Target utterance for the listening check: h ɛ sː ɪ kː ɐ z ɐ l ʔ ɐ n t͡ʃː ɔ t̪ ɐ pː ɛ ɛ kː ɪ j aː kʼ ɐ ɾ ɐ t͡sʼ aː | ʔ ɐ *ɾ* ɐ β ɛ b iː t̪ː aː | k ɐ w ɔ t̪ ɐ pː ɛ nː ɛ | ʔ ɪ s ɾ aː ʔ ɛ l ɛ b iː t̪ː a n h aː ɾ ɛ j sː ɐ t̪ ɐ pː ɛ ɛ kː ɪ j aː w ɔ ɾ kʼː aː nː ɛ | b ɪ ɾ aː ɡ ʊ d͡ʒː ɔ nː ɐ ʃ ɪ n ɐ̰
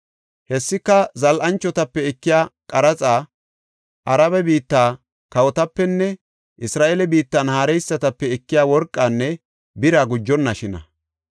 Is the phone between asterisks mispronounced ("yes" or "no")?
no